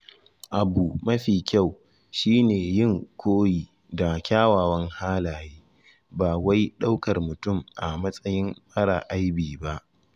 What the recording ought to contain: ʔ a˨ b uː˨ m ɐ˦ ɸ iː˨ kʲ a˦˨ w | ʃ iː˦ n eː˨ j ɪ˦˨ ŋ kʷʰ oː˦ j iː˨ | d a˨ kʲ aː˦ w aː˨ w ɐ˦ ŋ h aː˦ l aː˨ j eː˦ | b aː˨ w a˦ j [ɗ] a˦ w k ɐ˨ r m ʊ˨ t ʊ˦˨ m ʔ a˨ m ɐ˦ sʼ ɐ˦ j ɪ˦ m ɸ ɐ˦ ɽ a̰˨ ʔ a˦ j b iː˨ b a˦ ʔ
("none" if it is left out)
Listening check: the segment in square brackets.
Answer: ɗ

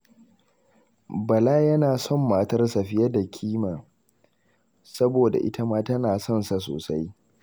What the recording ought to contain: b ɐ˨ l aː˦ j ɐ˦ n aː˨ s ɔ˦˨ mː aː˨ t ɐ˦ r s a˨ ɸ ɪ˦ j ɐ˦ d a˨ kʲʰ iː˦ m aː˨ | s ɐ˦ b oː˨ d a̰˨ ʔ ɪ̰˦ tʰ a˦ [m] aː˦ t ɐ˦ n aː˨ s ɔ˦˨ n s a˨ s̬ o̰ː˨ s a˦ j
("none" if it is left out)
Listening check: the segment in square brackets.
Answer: m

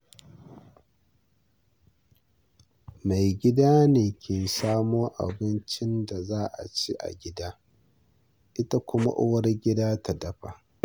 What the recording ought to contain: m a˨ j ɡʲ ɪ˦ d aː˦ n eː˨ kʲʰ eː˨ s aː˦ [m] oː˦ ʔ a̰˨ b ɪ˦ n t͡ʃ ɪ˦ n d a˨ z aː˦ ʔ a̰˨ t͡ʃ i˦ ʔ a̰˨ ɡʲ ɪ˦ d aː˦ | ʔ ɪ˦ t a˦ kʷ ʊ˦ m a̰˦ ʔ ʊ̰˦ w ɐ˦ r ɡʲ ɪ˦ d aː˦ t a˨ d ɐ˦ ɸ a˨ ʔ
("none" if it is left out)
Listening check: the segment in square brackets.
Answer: m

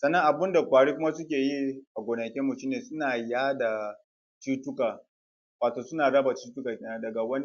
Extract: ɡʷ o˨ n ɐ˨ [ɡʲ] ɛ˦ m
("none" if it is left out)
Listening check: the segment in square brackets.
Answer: kʲ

